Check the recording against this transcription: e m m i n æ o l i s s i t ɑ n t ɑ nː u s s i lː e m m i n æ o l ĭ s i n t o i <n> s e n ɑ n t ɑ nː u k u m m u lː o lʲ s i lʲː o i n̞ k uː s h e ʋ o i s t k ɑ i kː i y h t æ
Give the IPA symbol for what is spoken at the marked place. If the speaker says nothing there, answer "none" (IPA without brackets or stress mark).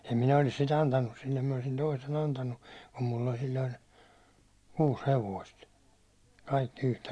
none